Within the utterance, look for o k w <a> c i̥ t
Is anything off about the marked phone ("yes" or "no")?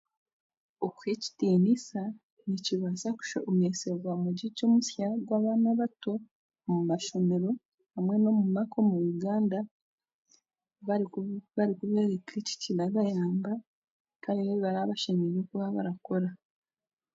yes